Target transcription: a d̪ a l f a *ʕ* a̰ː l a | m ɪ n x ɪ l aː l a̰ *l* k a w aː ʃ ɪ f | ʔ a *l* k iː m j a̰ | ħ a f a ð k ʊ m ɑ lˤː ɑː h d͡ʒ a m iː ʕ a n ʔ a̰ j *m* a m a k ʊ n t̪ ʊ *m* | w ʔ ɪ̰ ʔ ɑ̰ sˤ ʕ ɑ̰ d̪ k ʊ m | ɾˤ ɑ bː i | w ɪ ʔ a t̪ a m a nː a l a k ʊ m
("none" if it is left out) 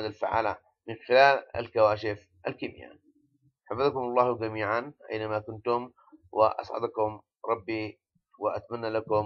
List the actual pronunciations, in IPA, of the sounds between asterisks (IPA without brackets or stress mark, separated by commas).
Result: ʕ, l, l, n, m